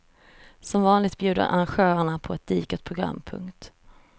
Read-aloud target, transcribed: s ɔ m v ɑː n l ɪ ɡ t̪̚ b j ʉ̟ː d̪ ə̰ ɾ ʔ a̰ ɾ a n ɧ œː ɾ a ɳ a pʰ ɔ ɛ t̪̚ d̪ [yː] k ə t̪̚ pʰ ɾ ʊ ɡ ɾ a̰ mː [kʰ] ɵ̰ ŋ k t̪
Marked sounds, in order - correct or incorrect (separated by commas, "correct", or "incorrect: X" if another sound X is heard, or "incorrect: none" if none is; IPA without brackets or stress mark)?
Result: incorrect: iː, incorrect: pʰ